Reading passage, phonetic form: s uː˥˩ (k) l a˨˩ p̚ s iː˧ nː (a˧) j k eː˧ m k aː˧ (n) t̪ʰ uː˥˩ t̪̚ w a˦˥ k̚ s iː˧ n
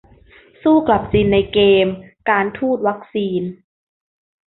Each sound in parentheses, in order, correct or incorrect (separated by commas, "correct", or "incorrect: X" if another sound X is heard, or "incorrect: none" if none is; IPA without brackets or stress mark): correct, correct, correct